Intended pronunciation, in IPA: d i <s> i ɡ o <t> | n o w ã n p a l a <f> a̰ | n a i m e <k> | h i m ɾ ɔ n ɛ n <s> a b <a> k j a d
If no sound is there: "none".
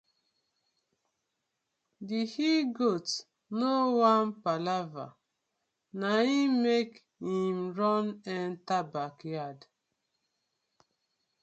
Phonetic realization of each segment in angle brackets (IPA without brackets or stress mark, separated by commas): h, t, v, k, t, a